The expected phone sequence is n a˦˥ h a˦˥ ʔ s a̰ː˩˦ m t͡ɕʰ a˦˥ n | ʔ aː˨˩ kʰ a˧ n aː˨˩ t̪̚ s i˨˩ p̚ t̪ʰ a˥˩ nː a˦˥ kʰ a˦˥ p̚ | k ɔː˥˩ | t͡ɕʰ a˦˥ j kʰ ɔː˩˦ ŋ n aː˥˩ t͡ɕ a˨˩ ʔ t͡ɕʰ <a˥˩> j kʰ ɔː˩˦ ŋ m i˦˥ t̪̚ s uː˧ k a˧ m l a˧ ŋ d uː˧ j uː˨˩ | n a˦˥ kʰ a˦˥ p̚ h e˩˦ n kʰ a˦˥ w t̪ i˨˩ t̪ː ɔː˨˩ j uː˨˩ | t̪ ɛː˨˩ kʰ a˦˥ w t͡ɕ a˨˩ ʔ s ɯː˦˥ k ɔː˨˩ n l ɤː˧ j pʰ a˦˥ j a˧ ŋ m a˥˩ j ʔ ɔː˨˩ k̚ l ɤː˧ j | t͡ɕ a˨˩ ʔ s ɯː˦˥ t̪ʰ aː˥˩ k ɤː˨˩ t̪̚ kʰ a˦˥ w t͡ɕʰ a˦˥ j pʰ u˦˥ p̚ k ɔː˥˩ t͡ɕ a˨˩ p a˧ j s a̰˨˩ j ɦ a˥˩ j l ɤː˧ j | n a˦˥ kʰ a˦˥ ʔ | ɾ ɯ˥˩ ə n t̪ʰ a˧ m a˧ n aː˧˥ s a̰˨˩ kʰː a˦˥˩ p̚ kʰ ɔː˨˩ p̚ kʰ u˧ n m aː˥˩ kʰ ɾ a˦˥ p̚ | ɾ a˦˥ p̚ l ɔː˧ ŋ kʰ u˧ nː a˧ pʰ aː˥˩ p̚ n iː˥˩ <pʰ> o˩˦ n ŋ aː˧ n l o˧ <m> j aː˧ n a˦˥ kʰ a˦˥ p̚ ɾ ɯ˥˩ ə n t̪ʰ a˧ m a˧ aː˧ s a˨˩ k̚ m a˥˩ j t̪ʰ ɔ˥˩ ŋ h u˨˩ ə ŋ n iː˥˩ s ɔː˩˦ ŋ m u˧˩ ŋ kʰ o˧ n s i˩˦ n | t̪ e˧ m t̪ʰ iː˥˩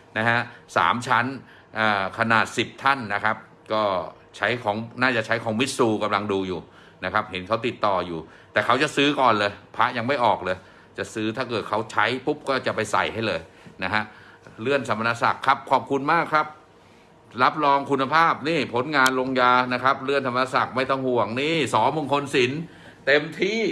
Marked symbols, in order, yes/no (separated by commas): no, yes, no